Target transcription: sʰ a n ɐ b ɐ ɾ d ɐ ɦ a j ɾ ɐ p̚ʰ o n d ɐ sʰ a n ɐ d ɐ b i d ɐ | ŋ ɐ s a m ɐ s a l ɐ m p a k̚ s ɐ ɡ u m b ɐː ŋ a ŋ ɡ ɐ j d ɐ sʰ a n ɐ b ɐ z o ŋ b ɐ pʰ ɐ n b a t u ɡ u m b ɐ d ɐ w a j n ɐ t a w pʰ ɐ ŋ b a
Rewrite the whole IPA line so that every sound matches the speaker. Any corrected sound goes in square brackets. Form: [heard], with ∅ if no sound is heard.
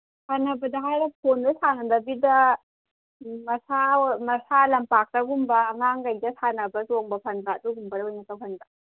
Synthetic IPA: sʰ a n ɐ b ɐ [∅] d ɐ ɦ a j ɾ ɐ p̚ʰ o n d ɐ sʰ a n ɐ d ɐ b i d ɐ | [m] ɐ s a m ɐ s a l ɐ m p a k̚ [t] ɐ ɡ u m b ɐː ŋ a ŋ ɡ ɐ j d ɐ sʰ a n ɐ b ɐ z o ŋ b ɐ pʰ ɐ n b a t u ɡ u m b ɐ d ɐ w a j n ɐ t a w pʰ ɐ [n] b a